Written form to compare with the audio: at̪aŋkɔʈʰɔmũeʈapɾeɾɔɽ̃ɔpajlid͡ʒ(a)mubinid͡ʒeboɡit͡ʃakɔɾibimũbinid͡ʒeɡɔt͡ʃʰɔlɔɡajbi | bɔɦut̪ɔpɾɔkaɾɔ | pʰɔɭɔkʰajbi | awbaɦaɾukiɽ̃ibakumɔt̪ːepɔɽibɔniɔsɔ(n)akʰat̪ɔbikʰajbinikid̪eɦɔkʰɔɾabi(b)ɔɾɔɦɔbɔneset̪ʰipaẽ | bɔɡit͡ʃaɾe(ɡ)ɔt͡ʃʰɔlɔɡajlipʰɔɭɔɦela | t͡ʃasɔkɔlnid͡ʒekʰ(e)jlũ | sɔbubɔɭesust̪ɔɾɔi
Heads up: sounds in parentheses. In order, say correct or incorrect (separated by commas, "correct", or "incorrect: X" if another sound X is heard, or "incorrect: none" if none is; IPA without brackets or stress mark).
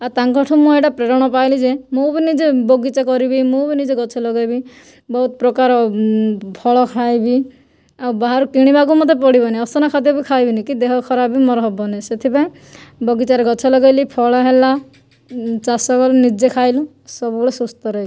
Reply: incorrect: e, correct, incorrect: m, correct, incorrect: a